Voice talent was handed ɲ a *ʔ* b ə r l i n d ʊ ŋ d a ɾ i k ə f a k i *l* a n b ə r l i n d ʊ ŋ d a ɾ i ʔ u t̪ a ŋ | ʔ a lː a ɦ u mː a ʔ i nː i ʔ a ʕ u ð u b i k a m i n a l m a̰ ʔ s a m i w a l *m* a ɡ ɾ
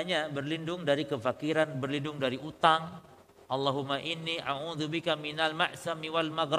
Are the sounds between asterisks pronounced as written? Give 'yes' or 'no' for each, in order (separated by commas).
no, no, yes